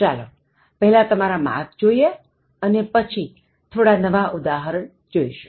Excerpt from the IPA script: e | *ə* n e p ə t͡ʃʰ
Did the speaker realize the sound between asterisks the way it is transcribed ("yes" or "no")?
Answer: yes